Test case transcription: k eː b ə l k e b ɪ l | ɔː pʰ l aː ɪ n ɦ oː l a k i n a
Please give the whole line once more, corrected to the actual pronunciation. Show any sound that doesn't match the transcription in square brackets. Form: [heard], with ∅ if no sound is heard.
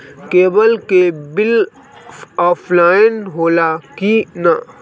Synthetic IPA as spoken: k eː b ə l k e b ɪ l | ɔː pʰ l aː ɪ n ɦ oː l a k i n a